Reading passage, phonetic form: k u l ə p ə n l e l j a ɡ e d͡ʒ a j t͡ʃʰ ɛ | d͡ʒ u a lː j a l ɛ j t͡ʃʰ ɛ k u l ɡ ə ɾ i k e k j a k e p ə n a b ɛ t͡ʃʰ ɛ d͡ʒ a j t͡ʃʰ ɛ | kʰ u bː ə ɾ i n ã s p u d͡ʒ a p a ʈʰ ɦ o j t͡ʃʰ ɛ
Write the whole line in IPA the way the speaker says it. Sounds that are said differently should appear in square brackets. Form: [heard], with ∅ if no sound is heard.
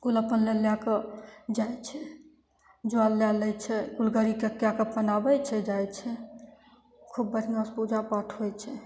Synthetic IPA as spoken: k u l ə p ə n l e l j a [k] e d͡ʒ a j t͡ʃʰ ɛ | d͡ʒ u a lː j a l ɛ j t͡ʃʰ ɛ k u l ɡ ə ɾ i k e k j a k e p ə n a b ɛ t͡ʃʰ ɛ d͡ʒ a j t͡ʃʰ ɛ | kʰ u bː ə ɾ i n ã s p u d͡ʒ a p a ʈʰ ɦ o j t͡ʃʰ ɛ

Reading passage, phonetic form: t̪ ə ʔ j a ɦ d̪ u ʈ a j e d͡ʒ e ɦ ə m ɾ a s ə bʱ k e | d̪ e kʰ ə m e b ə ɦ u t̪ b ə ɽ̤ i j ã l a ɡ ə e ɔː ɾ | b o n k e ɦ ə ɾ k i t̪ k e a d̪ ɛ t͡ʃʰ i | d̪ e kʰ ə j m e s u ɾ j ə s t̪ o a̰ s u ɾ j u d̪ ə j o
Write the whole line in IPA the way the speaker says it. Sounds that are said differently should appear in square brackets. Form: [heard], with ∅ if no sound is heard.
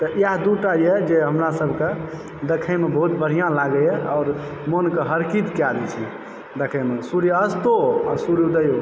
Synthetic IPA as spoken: t̪ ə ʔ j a ɦ d̪ u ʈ a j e d͡ʒ e ɦ ə m ɾ a s ə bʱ k e | d̪ e kʰ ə m e b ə ɦ u t̪ b ə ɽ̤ i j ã l a ɡ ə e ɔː ɾ | [m] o n k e ɦ ə ɾ k i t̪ k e a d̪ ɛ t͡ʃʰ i | d̪ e kʰ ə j m e s u ɾ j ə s t̪ o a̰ s u ɾ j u d̪ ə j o

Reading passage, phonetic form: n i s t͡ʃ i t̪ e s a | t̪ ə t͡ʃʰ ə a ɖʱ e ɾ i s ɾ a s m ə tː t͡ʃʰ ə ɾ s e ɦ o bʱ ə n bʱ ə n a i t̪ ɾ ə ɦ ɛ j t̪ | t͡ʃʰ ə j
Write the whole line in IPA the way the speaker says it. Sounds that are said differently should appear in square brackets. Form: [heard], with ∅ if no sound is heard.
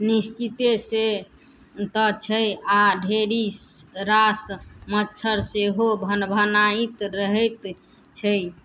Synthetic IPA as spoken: n i s t͡ʃ i t̪ e s [e] | t̪ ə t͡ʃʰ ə a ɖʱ e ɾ i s ɾ a s m ə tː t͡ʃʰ ə ɾ s e ɦ o bʱ ə n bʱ ə n a i t̪ ɾ ə ɦ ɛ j t̪ | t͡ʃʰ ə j

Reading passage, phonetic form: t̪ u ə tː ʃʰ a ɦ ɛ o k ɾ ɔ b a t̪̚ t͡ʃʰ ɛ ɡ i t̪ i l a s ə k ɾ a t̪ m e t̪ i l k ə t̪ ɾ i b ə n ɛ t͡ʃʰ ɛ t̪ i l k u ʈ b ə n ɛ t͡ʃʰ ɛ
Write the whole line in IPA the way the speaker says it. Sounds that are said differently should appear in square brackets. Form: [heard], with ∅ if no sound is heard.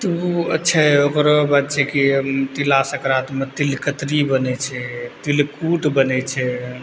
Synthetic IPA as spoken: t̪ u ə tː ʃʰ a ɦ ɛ o k ɾ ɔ b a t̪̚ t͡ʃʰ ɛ [k] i t̪ i l a s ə k ɾ a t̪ m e t̪ i l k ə t̪ ɾ i b ə n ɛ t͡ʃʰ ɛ t̪ i l k u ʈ b ə n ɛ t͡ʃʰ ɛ

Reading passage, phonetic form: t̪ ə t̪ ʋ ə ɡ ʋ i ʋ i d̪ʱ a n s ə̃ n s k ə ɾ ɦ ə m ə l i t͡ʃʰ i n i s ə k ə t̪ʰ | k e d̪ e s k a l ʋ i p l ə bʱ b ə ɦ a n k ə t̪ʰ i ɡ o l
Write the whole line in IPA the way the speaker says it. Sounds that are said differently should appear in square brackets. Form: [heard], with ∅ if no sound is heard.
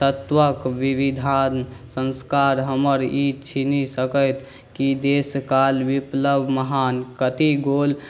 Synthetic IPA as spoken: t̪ ə t̪ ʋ ə [k] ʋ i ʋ i d̪ʱ a n s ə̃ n s k [a] ɾ ɦ ə m ə [ɾ] i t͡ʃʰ i n i s ə k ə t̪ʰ | k [i] d̪ e s k a l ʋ i p l ə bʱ [m] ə ɦ a n k ə [t̪] i ɡ o l

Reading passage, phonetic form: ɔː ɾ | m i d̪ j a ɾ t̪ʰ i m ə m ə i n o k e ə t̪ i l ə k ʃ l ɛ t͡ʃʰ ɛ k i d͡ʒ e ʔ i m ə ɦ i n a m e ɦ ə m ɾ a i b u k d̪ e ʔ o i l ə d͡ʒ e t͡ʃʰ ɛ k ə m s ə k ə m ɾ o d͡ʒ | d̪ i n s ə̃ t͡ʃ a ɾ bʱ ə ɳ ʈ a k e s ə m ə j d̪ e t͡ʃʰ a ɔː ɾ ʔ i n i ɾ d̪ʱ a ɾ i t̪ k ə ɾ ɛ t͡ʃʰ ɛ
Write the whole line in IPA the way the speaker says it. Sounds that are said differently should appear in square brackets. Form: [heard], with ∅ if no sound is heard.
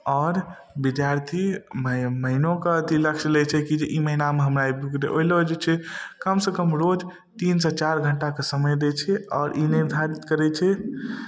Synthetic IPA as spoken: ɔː ɾ | [b] i d̪ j a ɾ t̪ʰ i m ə m ə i n o k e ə t̪ i l ə k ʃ l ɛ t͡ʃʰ ɛ k i d͡ʒ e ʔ i m ə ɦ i n a m e ɦ ə m ɾ a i b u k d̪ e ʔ o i l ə d͡ʒ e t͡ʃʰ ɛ k ə m s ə k ə m ɾ o d͡ʒ | [t̪] i n s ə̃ t͡ʃ a ɾ [ɡʱ] ə ɳ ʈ a k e s ə m ə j d̪ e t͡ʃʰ [ɛ] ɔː ɾ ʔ i n i ɾ d̪ʱ a ɾ i t̪ k ə ɾ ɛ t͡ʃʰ ɛ

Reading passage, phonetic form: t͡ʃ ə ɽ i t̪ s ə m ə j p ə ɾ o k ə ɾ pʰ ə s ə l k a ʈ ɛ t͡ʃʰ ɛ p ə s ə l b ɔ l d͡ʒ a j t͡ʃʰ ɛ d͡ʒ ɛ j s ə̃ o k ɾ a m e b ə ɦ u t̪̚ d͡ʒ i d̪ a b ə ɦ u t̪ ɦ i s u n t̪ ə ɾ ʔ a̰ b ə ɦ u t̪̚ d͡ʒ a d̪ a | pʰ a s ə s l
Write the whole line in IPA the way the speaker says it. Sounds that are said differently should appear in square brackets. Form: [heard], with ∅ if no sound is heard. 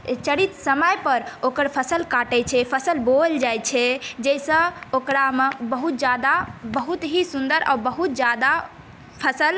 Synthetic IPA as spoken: t͡ʃ ə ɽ i t̪ s ə m ə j p ə ɾ o k ə ɾ pʰ ə s ə l k a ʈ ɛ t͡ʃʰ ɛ [pʰ] ə s ə l b [o] l d͡ʒ a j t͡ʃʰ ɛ d͡ʒ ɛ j s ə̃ o k ɾ a m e b ə ɦ u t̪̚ d͡ʒ [a] d̪ a b ə ɦ u t̪ ɦ i s u n [d̪] ə ɾ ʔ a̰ b ə ɦ u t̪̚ d͡ʒ a d̪ a | pʰ [ə] s ə [∅] l

